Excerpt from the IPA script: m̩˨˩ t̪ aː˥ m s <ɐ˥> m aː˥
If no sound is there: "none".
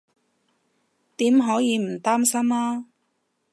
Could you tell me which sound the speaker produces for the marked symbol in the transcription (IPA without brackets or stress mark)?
ɐ˥